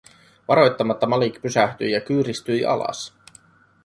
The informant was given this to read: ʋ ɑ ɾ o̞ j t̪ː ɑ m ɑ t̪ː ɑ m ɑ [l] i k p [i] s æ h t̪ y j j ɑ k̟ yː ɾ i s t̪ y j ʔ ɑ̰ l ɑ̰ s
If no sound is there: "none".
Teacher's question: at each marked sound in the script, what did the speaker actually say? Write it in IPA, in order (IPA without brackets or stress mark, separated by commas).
l, y